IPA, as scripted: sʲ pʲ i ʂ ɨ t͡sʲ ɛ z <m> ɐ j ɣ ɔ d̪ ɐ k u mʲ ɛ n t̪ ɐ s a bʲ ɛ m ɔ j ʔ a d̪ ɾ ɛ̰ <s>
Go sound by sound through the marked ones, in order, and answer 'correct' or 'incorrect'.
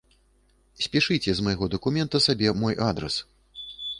correct, correct

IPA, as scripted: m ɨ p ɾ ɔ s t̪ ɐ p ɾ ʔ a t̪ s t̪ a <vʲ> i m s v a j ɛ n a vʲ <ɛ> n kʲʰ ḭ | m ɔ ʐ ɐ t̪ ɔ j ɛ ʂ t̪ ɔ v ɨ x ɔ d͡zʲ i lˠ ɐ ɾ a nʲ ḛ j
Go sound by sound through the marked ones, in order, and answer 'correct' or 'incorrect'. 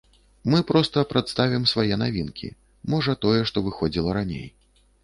correct, incorrect: i

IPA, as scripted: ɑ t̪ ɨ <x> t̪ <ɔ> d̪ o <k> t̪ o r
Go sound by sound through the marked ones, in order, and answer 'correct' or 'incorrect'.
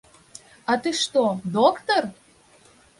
incorrect: ʃ, incorrect: o, correct

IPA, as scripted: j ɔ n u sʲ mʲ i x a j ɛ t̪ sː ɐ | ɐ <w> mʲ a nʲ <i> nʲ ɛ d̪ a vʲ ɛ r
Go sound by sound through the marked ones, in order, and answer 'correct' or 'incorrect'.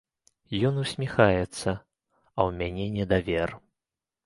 correct, incorrect: ɛ

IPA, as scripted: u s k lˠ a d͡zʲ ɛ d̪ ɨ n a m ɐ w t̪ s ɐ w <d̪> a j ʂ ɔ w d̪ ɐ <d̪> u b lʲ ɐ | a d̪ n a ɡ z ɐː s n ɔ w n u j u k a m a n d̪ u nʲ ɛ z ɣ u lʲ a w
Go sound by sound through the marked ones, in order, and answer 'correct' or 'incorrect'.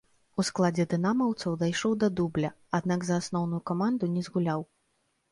correct, correct

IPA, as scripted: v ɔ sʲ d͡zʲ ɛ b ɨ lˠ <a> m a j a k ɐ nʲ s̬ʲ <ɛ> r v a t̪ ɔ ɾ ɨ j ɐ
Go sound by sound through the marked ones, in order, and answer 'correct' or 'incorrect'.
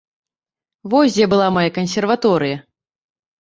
correct, correct

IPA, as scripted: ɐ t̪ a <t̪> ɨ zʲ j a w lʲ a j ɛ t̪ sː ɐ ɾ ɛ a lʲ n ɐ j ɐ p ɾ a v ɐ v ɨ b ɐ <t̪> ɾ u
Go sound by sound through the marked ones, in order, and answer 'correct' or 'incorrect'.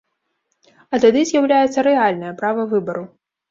incorrect: d̪, incorrect: none

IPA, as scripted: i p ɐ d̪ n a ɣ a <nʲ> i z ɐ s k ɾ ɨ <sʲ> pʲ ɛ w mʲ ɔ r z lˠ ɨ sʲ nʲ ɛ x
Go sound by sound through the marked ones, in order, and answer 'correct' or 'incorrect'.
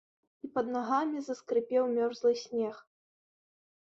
incorrect: mʲ, incorrect: none

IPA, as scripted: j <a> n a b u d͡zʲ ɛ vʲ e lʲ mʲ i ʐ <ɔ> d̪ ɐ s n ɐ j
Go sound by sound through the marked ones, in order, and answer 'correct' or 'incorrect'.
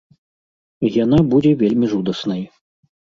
correct, incorrect: u

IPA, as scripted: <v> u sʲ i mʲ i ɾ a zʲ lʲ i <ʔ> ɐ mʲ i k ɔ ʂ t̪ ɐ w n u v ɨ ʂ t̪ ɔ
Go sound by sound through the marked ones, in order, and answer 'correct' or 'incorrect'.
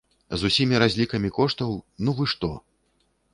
incorrect: z, incorrect: k

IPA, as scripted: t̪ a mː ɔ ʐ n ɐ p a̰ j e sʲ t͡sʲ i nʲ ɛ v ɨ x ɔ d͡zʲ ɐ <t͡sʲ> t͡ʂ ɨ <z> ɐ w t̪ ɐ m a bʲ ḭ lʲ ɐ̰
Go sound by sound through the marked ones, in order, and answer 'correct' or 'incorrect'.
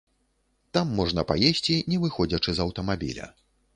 incorrect: none, correct

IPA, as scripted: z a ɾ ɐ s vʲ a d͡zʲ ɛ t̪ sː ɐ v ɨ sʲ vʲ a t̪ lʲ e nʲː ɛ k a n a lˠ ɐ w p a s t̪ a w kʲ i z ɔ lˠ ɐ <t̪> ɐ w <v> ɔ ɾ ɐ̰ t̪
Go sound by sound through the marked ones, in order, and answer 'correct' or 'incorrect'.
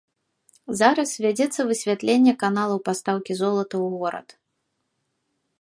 correct, incorrect: ɣ

